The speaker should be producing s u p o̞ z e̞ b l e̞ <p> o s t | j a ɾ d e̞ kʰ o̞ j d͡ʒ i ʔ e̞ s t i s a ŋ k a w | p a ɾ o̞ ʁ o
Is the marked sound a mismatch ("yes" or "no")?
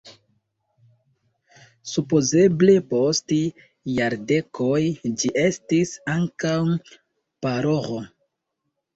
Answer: no